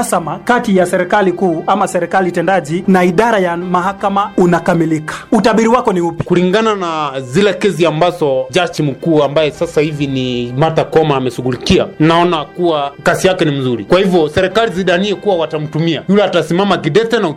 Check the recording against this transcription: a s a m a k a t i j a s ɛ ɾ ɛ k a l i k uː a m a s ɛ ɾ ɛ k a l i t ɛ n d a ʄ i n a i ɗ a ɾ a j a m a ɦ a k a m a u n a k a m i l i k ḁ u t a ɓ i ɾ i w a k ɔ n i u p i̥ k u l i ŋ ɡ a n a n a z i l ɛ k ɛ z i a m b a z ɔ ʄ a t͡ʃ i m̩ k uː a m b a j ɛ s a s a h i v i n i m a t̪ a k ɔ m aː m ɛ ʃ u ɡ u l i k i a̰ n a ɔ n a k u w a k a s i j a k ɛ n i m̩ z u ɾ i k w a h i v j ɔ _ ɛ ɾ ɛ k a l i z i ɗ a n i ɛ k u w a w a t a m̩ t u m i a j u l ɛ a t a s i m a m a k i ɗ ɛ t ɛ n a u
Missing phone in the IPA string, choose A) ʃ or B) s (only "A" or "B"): B